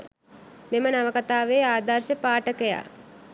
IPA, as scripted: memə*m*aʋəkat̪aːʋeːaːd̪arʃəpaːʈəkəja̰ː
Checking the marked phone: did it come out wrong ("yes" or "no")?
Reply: yes